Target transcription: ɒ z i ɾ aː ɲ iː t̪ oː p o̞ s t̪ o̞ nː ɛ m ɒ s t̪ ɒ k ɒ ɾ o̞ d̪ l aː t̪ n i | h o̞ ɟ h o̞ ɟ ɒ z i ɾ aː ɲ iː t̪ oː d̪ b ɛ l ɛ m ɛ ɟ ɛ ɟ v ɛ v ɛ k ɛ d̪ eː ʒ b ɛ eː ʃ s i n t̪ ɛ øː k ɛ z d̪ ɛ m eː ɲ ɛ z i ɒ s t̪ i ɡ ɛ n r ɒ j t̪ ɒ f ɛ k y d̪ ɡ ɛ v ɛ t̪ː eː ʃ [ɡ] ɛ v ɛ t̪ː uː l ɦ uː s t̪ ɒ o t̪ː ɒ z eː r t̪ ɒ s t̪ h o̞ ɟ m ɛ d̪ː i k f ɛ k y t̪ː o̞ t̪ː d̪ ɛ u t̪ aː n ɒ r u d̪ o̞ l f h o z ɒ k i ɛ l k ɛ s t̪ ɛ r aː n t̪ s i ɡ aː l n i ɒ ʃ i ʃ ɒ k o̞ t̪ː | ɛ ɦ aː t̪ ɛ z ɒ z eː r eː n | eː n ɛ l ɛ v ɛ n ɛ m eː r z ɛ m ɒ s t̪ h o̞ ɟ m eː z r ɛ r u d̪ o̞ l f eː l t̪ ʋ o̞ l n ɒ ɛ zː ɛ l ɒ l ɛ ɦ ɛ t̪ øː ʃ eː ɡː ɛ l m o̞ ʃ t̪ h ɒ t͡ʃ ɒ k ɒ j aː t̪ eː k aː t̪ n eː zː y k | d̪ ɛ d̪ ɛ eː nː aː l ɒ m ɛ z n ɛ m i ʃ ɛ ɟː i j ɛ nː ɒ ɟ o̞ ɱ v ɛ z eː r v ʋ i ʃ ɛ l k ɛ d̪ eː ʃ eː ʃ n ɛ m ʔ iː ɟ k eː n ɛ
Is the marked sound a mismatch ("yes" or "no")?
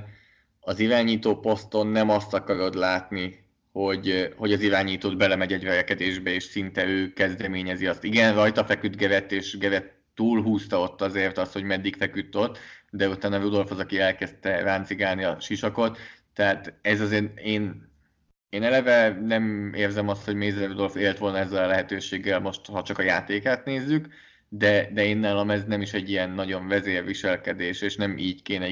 no